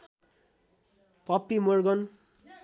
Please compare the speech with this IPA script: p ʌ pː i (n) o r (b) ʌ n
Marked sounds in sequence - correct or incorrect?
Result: incorrect, incorrect

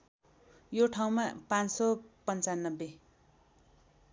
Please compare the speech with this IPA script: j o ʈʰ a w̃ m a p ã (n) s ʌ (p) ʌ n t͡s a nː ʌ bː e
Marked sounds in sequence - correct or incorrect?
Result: correct, correct

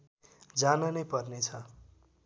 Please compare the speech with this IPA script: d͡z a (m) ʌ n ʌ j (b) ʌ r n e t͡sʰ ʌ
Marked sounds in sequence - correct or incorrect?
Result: incorrect, incorrect

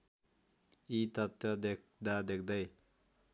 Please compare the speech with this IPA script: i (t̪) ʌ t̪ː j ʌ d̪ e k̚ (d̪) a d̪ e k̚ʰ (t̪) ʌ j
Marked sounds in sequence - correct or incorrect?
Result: correct, correct, incorrect

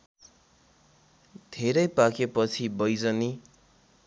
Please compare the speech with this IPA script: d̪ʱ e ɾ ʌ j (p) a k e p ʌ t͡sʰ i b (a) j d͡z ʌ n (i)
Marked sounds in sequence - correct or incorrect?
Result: correct, incorrect, correct

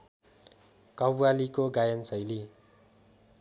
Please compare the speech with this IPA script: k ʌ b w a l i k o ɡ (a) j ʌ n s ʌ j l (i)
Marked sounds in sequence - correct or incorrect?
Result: correct, correct

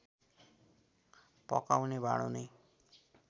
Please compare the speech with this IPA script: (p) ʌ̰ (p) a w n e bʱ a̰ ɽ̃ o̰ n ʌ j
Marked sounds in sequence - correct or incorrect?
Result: correct, incorrect

